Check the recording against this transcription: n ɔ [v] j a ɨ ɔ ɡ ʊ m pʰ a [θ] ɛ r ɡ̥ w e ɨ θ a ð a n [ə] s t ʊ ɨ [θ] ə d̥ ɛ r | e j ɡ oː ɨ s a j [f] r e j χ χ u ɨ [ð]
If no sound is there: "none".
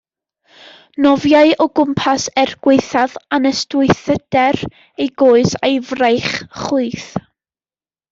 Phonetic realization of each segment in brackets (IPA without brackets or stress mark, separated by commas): v, s, ə, θ, v, θ